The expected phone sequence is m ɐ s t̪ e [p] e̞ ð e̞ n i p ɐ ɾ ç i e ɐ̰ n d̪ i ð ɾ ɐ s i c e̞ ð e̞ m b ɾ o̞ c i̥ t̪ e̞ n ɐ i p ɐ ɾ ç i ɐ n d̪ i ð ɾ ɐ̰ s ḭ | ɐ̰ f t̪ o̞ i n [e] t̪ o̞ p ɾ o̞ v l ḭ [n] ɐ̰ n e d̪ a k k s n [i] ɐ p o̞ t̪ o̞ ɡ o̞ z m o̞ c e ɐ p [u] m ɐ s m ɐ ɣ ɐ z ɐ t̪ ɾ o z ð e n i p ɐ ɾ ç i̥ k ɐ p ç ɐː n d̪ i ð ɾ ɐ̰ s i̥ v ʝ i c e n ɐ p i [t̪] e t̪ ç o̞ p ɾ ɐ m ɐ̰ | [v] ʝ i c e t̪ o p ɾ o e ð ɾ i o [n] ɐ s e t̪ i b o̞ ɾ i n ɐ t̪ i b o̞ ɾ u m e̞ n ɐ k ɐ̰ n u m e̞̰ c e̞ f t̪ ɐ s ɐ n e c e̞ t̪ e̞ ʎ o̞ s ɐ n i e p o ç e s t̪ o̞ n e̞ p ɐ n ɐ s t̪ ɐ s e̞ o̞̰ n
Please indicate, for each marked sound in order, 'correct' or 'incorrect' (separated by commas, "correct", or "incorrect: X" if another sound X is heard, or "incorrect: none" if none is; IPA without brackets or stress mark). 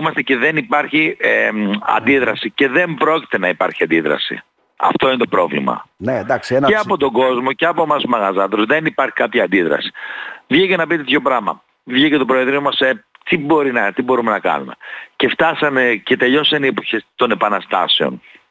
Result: incorrect: c, correct, incorrect: m, incorrect: e, incorrect: o, correct, correct, incorrect: m